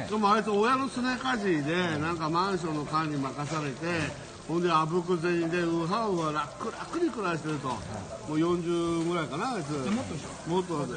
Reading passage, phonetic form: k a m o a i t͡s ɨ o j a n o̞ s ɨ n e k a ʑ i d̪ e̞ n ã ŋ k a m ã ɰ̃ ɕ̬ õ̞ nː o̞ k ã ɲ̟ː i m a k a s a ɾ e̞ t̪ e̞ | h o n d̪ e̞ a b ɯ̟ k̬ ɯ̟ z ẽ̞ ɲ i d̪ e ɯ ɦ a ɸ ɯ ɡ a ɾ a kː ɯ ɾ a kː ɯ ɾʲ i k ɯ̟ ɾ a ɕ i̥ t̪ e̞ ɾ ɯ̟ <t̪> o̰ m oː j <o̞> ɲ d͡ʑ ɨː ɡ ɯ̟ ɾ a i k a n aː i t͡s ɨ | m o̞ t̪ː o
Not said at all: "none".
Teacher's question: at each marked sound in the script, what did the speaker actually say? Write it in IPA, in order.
t̪, õ̞

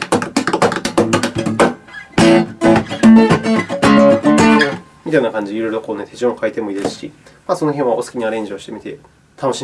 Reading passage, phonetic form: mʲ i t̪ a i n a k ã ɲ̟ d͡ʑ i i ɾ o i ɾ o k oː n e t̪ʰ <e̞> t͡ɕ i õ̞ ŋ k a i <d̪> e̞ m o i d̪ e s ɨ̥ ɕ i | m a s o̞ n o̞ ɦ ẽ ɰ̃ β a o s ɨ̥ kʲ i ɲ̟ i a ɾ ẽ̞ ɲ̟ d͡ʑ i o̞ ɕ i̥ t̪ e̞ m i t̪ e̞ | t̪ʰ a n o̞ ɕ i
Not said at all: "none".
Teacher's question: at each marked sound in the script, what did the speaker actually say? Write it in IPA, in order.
e̞, t̪

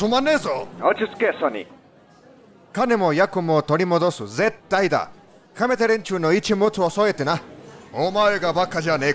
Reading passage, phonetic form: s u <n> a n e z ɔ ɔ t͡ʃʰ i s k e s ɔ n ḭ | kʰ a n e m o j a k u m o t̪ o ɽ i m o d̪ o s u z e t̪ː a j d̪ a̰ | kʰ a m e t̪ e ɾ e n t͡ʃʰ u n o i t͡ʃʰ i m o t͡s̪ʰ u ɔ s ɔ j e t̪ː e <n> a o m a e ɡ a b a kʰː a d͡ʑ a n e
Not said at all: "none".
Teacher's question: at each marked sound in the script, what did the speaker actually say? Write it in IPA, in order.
m, n

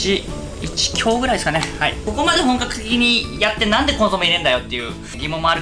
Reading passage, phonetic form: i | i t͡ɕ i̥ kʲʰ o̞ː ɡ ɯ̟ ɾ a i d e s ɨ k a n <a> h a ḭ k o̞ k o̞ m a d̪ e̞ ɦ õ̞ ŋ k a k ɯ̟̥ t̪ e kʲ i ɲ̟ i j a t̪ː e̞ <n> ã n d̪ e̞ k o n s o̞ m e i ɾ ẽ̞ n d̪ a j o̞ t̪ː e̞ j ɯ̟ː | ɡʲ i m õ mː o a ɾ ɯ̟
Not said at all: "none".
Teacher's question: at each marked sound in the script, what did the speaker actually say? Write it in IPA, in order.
e, n

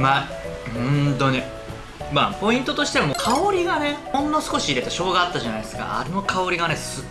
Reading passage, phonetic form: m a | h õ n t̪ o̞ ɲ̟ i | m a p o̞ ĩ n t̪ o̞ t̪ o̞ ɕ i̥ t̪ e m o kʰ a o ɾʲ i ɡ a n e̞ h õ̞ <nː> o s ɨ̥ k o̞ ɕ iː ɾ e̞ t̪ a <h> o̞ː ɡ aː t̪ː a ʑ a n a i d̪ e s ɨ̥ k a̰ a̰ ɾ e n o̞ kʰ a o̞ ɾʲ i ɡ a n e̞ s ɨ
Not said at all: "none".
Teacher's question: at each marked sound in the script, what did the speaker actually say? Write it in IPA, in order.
nː, ɕ

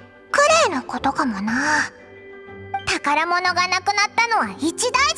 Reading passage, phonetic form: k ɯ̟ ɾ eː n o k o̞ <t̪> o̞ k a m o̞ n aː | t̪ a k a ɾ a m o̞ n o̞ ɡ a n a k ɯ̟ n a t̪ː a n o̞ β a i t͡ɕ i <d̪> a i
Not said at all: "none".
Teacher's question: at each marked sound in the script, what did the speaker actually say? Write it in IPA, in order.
t̪, d̪

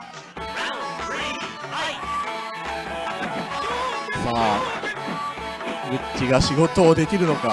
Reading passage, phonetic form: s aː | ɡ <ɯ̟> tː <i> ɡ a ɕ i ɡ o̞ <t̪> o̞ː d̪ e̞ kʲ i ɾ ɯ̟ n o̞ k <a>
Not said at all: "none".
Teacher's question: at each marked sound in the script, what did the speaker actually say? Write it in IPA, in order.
ɯ̟, i, t̪, a

